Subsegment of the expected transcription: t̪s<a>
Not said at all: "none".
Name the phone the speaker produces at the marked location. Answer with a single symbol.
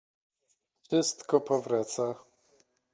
a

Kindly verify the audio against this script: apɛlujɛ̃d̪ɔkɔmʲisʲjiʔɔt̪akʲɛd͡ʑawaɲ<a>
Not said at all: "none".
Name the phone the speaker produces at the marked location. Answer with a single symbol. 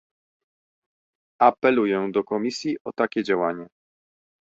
ɛ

